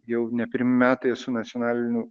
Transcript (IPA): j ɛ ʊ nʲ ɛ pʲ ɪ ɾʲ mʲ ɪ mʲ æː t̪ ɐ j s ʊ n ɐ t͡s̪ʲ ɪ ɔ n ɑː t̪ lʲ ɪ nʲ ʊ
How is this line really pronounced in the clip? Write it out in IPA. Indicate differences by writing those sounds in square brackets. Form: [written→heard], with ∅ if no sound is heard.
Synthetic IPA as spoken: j ɛ ʊ nʲ ɛ pʲ ɪ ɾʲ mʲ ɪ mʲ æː t̪ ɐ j s ʊ n ɐ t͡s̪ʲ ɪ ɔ n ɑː [t̪→∅] lʲ ɪ nʲ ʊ